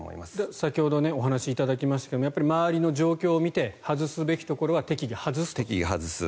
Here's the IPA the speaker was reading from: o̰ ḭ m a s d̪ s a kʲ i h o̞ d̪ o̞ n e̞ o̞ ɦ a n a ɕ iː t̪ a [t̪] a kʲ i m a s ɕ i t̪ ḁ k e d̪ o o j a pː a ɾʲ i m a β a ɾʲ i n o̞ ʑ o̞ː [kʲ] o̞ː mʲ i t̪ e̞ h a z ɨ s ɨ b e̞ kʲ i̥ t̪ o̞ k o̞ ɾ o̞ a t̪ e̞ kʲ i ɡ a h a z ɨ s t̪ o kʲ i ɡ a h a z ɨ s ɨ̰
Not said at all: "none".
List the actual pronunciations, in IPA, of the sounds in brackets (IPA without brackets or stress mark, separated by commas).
d̪, kʲ